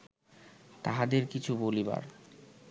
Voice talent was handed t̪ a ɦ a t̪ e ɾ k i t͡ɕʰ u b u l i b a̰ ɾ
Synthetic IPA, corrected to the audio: t̪ a ɦ a d̪ e ɾ k i t͡ɕʰ u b o l i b a̰ ɾ